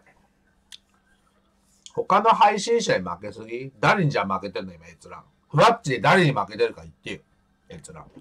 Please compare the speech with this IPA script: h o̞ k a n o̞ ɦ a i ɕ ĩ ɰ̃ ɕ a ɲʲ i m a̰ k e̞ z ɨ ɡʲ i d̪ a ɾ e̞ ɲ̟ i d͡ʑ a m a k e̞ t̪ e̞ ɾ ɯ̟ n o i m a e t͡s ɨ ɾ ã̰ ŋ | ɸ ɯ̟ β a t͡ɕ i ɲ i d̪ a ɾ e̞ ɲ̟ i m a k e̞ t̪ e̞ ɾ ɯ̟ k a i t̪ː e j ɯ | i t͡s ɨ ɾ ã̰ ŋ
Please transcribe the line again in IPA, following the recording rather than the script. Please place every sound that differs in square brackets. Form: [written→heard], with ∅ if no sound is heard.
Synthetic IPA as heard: h o̞ k a n o̞ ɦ a i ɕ ĩ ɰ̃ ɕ a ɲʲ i m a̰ k e̞ [z→s] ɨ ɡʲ i d̪ a ɾ e̞ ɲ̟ i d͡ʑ a m a k e̞ t̪ e̞ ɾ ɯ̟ n o i m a e t͡s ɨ ɾ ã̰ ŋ | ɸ ɯ̟ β a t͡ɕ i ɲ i d̪ a ɾ e̞ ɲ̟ i m a k e̞ t̪ e̞ ɾ ɯ̟ k a i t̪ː e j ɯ | [i→e] t͡s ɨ ɾ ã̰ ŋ